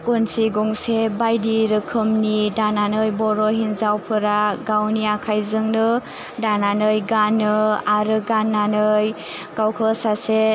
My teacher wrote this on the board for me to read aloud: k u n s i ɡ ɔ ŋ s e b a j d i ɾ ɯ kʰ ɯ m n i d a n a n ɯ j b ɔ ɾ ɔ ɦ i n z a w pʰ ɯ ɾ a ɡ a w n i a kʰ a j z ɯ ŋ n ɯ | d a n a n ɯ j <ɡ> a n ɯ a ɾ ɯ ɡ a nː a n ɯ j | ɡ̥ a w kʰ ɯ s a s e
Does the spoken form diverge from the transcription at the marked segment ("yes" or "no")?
no